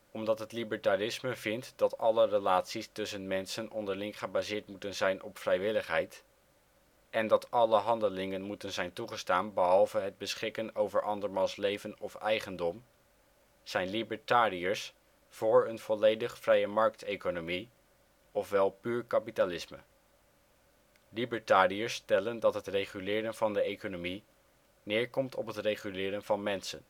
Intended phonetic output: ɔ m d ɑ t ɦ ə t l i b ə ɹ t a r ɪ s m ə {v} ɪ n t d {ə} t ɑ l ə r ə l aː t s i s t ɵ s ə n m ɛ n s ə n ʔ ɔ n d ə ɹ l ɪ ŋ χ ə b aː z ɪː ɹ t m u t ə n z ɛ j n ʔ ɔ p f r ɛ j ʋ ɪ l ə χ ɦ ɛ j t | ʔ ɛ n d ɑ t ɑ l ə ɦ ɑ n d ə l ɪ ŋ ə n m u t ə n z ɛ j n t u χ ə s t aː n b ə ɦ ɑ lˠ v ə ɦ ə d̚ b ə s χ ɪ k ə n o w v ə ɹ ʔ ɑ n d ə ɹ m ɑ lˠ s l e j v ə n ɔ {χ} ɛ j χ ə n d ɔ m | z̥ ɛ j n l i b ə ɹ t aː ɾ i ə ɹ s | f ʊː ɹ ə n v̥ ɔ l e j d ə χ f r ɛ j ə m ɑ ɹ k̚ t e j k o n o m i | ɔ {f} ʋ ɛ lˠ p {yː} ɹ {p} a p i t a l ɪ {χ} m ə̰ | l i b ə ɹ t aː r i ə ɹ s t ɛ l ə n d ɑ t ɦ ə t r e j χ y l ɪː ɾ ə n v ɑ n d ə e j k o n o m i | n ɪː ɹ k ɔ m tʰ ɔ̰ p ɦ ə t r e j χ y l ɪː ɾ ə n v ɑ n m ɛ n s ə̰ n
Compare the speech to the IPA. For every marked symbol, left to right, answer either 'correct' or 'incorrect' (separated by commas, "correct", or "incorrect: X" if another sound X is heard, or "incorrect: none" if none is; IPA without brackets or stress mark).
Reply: correct, incorrect: ɑ, incorrect: f, correct, correct, incorrect: k, incorrect: s